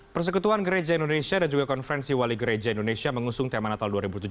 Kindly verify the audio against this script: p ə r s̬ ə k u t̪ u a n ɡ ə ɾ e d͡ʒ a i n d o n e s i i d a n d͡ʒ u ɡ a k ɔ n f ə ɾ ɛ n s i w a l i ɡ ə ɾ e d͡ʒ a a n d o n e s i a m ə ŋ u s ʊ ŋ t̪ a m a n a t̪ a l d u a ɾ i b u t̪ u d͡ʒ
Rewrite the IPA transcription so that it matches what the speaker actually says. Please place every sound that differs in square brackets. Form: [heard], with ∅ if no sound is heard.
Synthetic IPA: p ə r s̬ ə k u t̪ u a n ɡ ə ɾ e d͡ʒ a i n d o n e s i [a] d a n d͡ʒ u ɡ a k ɔ n f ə ɾ ɛ n s i w a l i ɡ ə ɾ e d͡ʒ a [i] n d o n e s i a m ə ŋ u s ʊ ŋ t̪ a m a n a t̪ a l d u a ɾ i b u t̪ u d͡ʒ